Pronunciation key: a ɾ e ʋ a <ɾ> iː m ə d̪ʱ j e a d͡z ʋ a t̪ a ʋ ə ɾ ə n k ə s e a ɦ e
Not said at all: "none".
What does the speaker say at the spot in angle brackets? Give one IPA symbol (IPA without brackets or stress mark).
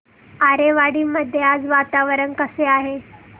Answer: ɽ